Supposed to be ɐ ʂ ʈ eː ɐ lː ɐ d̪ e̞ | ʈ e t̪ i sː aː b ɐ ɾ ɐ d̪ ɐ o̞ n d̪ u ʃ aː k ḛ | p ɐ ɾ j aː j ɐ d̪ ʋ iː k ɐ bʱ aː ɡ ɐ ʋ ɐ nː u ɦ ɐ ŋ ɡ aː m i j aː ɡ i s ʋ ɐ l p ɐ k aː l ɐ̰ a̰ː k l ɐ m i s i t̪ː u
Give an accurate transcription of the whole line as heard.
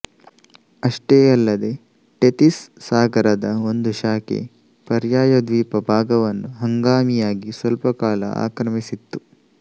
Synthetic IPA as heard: ɐ ʂ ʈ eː ɐ lː ɐ d̪ e̞ | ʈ e t̪ i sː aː ɡ ɐ ɾ ɐ d̪ ɐ o̞ n d̪ u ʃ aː k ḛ | p ɐ ɾ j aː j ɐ d̪ ʋ iː p ɐ bʱ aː ɡ ɐ ʋ ɐ nː u ɦ ɐ ŋ ɡ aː m i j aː ɡ i s ʋ ɐ l p ɐ k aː l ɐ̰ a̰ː k ɾ ɐ m i s i t̪ː u